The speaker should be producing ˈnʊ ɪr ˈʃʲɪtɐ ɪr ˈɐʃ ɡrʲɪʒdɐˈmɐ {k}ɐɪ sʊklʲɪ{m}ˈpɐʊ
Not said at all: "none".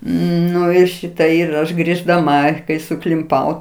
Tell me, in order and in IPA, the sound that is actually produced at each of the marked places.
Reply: k, m

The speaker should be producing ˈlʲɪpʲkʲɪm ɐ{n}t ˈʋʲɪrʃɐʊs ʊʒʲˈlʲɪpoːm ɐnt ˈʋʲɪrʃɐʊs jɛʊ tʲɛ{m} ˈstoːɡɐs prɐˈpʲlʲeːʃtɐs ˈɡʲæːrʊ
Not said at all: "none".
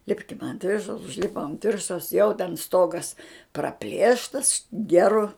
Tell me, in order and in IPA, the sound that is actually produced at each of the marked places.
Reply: n, n

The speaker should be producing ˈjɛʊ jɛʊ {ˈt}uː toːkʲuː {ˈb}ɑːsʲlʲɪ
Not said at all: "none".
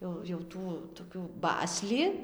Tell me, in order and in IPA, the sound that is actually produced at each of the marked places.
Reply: t, b

